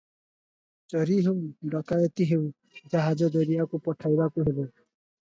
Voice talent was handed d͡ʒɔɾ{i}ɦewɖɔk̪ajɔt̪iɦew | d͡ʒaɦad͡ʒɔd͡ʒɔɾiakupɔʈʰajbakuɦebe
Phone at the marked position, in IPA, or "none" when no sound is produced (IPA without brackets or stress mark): i